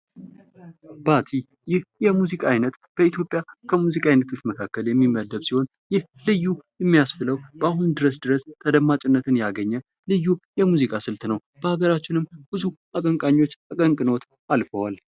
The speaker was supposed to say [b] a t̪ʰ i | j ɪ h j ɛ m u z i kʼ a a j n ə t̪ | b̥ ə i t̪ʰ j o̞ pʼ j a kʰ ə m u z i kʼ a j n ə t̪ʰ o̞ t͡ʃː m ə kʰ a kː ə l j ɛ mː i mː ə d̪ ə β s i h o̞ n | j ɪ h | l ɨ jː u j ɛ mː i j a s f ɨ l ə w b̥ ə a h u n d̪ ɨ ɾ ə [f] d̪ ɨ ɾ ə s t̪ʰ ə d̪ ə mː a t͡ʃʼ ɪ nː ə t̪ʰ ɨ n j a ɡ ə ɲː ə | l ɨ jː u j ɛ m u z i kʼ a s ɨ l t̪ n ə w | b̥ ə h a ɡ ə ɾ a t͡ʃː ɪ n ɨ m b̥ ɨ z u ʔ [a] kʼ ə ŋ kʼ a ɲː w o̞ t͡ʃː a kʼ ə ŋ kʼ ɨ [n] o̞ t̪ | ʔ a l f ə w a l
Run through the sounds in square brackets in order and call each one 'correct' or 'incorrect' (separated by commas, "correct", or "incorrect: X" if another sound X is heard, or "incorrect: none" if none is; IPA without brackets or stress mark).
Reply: correct, incorrect: s, correct, correct